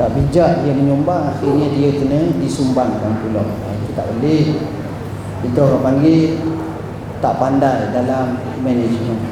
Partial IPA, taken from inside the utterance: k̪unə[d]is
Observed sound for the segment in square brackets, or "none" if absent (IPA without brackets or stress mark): d